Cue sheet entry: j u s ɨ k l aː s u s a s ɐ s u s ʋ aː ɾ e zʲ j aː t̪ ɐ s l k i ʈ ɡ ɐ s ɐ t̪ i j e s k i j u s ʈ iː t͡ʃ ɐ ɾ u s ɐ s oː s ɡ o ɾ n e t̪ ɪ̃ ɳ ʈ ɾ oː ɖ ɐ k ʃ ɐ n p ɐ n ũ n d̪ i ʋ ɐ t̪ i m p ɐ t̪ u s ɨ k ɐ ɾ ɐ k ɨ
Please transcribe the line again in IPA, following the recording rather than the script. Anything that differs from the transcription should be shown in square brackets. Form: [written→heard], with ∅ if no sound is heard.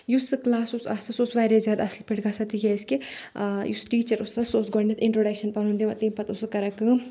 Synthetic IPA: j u s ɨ k l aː s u s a s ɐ s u s ʋ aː ɾ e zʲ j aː [t̪→d̪] ɐ s l [k→p] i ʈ ɡ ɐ s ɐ t̪ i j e s k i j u s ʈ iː t͡ʃ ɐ ɾ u s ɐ s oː s ɡ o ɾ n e t̪ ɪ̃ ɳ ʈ ɾ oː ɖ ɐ k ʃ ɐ n p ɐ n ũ n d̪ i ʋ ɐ t̪ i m p ɐ t̪ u s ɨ k ɐ ɾ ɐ k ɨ